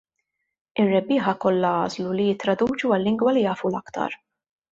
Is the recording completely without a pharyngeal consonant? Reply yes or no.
no